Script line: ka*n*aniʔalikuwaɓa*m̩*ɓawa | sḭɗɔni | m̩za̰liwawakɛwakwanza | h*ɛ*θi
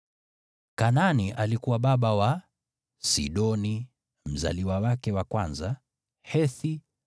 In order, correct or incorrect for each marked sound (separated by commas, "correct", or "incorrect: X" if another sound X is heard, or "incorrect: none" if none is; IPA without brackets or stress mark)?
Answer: correct, incorrect: none, correct